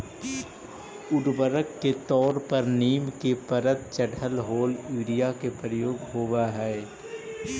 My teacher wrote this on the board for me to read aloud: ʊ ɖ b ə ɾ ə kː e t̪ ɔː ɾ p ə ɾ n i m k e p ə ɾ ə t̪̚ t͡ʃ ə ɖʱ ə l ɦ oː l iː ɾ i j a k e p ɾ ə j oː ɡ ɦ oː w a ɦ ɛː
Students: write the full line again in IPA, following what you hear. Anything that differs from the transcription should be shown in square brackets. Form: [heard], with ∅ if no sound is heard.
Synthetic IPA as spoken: ʊ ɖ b ə ɾ ə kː e t̪ ɔː ɾ p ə ɾ n [iː] m k e p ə ɾ ə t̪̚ t͡ʃ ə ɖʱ ə l ɦ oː l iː ɾ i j a k e p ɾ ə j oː ɡ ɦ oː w a ɦ ɛː